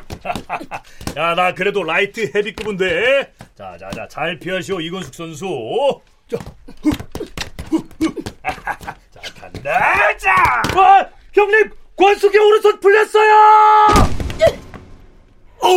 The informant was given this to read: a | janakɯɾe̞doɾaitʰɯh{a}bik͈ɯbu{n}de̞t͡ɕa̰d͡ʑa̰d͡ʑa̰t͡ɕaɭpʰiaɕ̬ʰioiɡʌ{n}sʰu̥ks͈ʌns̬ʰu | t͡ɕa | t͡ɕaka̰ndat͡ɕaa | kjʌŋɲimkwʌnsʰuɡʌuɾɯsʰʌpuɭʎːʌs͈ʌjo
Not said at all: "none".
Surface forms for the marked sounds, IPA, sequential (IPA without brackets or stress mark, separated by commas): e, n, n